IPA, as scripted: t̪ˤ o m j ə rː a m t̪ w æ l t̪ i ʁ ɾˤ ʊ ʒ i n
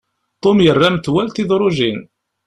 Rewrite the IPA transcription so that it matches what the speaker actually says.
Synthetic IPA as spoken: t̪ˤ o m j ə rː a m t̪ w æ l t̪ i ð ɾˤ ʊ ʒ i n

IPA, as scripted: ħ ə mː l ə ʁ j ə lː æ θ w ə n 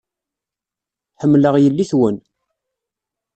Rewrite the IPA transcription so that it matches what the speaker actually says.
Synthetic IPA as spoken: ħ ə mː l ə ʁ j ə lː i θ w ə n

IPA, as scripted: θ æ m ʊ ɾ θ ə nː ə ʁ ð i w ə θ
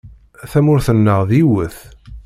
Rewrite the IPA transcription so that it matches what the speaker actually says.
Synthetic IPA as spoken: θ æ m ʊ ɾ θ ə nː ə ʁ ð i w ə θ

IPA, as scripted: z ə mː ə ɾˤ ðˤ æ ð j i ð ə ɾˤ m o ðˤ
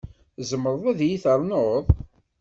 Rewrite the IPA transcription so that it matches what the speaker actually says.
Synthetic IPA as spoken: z ə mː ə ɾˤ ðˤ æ ð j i θ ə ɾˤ n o ðˤ

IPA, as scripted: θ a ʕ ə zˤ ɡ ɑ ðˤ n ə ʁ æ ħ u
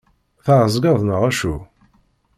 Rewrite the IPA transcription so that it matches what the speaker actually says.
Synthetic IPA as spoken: θ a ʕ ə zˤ ɡ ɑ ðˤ n ə ʁ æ ʃ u

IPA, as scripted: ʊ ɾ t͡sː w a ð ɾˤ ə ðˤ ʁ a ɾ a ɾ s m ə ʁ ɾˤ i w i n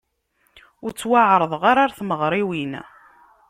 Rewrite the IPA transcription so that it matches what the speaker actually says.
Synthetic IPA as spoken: ʊ ɾ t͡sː w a ʕ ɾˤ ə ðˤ ʁ a ɾ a ɾ θ m ə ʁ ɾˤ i w i n

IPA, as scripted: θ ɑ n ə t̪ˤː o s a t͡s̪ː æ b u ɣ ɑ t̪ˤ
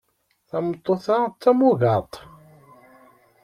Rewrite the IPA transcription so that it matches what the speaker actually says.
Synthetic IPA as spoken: θ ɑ m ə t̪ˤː o θ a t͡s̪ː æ m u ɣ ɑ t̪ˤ

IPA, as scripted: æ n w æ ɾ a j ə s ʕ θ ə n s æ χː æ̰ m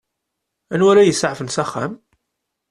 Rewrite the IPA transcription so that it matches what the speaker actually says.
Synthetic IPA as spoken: æ n w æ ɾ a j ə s ʕ f ə n s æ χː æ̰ m

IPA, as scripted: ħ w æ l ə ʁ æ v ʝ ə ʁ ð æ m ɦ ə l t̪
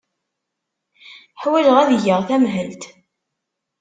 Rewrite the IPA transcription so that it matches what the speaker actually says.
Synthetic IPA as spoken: ħ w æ l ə ʁ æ ð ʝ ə ʁ θ æ m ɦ ə l t̪

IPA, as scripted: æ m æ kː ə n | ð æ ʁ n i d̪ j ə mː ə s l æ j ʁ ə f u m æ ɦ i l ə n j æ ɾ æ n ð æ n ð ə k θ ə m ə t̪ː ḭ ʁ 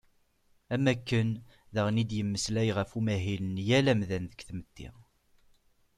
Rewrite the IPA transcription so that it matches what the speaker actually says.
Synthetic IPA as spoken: æ m æ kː ə n | ð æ ʁ n i d̪ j ə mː ə s l æ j ʁ ə f u m æ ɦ i l ə n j æ l æ m ð æ n ð ə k θ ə m ə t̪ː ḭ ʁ

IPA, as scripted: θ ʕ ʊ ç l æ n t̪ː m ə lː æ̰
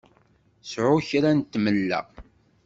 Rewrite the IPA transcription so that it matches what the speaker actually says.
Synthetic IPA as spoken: s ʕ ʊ ç ɾ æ n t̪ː m ə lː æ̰

